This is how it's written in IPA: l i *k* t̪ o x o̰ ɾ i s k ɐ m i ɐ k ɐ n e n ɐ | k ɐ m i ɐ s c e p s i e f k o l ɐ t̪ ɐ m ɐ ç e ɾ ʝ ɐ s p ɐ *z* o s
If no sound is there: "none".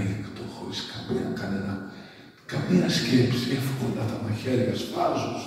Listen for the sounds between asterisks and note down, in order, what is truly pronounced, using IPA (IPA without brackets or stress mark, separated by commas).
k, z